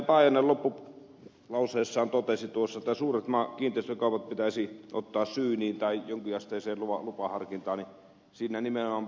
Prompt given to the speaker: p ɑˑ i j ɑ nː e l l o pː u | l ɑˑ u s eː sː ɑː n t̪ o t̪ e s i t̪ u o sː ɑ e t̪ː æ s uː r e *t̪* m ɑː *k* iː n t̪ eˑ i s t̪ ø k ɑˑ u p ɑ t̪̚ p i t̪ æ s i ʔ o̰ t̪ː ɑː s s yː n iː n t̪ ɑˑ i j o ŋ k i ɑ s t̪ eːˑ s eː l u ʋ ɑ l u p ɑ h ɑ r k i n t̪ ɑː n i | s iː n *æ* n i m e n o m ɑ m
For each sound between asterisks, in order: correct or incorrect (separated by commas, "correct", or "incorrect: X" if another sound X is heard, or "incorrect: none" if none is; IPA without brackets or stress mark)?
correct, correct, correct